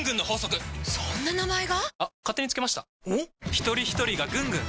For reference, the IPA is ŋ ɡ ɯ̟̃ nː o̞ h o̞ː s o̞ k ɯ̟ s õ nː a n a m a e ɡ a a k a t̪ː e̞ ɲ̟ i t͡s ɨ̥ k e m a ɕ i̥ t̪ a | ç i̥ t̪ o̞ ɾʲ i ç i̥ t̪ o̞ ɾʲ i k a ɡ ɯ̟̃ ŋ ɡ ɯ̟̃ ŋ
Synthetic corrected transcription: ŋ ɡ ɯ̟̃ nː o̞ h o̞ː s o̞ k ɯ̟ s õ nː a n a m a e ɡ a a k a t̪ː e̞ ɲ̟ i t͡s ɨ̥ k e m a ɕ i̥ t̪ a | ç i̥ t̪ o̞ ɾʲ i ç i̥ t̪ o̞ ɾʲ i ɡ a ɡ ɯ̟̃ ŋ ɡ ɯ̟̃ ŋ

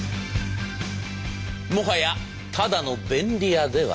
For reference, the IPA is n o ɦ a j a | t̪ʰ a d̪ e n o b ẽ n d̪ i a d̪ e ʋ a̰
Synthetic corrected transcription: m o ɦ a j a | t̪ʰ a d̪ a n o b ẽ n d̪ i a d̪ e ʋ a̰

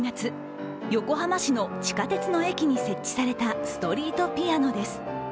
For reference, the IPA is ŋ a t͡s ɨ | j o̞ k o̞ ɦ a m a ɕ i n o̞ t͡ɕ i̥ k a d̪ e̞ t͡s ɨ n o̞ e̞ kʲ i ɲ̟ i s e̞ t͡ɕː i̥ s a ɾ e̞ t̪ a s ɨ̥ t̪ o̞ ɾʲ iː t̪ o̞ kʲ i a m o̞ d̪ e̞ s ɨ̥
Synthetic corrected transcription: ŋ a t͡s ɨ | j o̞ k o̞ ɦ a m a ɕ i n o̞ t͡ɕ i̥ k a t̪ e̞ t͡s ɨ n o̞ e̞ kʲ i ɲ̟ i s e̞ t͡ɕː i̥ s a ɾ e̞ t̪ a s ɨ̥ t̪ o̞ ɾʲ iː t̪ o̞ pʲ i a n o̞ d̪ e̞ s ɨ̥

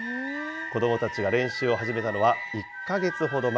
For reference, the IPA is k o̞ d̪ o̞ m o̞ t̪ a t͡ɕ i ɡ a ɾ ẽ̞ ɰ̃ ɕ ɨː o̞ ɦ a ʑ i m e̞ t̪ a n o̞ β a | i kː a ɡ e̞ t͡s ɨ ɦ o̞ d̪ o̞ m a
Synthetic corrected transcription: k o̞ d̪ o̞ m o̞ t̪ a t͡ɕ i ɡ a ɾ ẽ̞ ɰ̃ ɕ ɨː o̞ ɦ a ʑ i m e̞ t̪ a n o̞ β a | i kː a ɡ e̞ t͡s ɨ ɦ o̞ d̪ o̞ m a

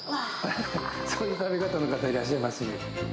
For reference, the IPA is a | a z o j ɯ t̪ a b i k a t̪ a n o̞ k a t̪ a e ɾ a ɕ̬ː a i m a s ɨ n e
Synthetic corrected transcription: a | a s o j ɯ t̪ a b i k a t̪ a n o̞ k a t̪ a i ɾ a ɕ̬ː a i m a s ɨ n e

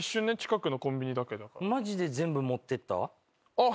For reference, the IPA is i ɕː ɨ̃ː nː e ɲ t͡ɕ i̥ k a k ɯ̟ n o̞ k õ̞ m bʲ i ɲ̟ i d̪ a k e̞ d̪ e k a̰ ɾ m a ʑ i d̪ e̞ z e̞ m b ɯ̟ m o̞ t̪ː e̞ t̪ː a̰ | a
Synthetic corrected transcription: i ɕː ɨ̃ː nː e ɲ t͡ɕ i̥ k a k ɯ̟ n o̞ k õ̞ m bʲ i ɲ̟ i d̪ a k e̞ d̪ a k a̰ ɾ m a ʑ i d̪ e̞ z ẽ̞ m b ɯ̟ m o̞ t̪ː e̞ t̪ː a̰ | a

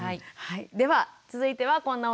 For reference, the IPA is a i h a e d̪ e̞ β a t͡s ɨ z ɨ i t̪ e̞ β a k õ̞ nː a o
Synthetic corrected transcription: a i h a i d̪ e̞ β a t͡s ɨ z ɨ i t̪ e̞ β a k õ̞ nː a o

